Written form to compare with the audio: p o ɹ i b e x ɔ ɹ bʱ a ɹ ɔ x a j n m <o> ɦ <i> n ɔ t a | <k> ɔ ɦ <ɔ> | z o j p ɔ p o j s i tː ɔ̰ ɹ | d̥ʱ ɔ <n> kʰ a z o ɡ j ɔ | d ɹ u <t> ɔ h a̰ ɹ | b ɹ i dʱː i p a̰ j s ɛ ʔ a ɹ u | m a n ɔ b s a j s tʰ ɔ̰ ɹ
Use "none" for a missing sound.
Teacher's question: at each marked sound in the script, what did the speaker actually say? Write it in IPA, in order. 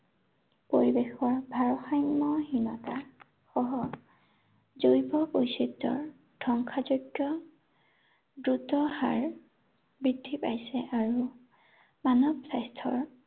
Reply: ɔ, i, x, ɔ, ŋ, t

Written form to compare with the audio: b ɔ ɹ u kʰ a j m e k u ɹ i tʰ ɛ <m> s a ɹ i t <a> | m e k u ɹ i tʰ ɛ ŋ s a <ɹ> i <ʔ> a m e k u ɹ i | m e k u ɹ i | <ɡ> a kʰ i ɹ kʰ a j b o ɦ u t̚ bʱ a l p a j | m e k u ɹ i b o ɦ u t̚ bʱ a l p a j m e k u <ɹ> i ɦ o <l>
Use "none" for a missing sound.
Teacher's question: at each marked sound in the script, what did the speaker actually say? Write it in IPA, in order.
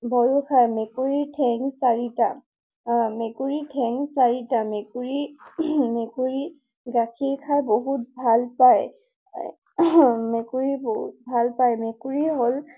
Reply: ŋ, a, ɹ, t, ɡ, ɹ, l

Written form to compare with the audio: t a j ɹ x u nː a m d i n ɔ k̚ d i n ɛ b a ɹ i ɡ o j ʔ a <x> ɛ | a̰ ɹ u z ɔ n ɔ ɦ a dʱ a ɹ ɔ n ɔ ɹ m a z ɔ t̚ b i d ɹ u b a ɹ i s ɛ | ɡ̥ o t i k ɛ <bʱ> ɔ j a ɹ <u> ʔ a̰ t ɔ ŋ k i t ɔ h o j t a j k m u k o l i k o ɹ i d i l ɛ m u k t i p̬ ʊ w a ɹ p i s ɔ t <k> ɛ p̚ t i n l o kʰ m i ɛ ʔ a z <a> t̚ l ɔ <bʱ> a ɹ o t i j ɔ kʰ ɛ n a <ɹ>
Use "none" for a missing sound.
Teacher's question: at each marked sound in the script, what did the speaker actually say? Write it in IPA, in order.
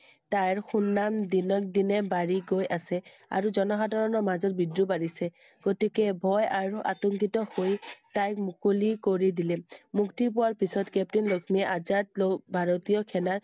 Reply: s, bʱ, u, k, a, bʱ, ɹ

